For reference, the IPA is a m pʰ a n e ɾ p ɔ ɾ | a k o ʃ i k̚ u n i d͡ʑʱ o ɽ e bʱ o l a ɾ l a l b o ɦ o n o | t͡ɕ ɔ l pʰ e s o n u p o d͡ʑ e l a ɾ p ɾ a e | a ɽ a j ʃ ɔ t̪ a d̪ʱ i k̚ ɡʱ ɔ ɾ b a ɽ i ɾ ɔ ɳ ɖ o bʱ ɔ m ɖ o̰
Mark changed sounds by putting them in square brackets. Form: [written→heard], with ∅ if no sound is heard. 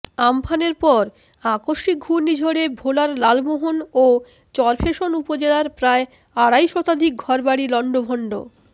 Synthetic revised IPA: a m pʰ a n e ɾ p ɔ ɾ | a k o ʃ i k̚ u n i d͡ʑʱ o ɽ e bʱ o l a ɾ l a l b o ɦ o n o | t͡ɕ ɔ [l→ɾ] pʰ e [s→ʃ] o n u p o d͡ʑ e l a ɾ p ɾ a e | a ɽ a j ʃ ɔ t̪ a d̪ʱ i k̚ ɡʱ ɔ ɾ b a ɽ i [ɾ→l] ɔ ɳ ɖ o bʱ ɔ [m→ɳ] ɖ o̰